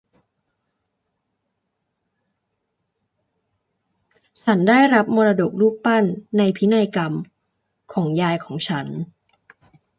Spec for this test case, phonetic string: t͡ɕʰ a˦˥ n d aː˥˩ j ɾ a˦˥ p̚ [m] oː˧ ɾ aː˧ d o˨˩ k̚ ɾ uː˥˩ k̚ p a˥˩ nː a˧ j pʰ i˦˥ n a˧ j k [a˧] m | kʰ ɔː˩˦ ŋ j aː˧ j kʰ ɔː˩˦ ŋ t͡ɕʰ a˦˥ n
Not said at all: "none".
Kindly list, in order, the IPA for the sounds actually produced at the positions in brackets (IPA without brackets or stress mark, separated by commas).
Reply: m, a˧